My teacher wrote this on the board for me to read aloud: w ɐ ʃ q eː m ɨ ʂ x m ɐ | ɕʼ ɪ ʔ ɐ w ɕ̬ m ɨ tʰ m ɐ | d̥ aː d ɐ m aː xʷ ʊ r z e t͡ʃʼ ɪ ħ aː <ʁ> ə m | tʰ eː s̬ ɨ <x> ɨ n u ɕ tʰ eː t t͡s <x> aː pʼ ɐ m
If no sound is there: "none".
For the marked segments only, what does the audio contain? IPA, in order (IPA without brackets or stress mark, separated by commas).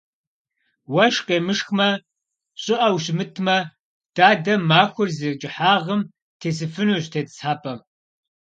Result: ʁ, f, ħ